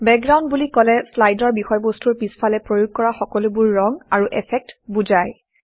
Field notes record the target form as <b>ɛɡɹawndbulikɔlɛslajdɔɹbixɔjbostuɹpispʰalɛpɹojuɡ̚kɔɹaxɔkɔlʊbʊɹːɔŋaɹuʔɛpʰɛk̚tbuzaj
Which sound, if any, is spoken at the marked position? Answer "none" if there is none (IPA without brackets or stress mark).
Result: b